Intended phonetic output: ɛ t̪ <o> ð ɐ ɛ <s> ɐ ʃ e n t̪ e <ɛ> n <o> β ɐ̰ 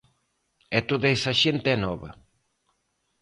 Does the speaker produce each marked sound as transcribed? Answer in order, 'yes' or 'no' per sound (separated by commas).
yes, yes, yes, no